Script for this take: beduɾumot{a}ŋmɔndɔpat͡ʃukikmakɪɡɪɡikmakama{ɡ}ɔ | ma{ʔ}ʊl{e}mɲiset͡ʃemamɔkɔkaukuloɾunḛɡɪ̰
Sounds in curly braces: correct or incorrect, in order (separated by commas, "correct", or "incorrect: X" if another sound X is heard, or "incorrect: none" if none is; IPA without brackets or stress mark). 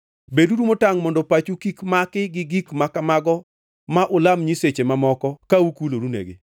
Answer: correct, correct, correct, incorrect: a